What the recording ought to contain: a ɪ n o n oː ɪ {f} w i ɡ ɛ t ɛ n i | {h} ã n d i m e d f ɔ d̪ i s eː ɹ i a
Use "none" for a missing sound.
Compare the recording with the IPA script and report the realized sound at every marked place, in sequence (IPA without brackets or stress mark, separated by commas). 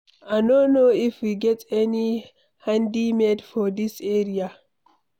f, h